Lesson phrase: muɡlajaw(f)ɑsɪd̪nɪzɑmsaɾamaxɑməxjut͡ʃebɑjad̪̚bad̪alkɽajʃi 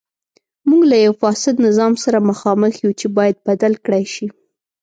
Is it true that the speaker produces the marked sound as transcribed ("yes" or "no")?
yes